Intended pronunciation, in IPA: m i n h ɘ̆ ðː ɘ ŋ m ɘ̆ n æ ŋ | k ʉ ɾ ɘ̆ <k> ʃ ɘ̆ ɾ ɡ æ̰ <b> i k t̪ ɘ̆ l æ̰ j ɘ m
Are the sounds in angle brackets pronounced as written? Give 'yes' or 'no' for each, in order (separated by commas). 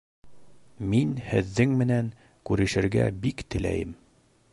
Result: no, yes